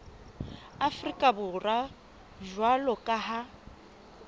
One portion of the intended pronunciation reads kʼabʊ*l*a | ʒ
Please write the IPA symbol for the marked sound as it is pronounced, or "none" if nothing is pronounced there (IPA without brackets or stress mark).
r